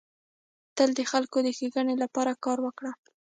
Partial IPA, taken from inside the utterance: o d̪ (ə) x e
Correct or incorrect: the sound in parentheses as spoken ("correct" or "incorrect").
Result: correct